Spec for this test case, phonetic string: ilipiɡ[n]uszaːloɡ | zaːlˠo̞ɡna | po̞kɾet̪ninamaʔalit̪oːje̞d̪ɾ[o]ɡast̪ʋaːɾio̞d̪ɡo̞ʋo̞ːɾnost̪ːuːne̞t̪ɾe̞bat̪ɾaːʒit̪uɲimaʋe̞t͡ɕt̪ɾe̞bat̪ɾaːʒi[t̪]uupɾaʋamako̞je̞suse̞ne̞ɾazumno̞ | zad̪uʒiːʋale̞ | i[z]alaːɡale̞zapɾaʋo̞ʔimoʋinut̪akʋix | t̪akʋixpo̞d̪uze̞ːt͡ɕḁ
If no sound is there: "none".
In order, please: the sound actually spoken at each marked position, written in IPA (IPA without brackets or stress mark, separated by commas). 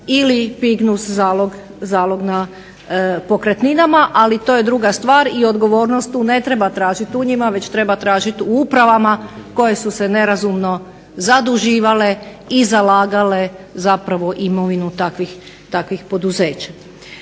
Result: n, u, t̪, z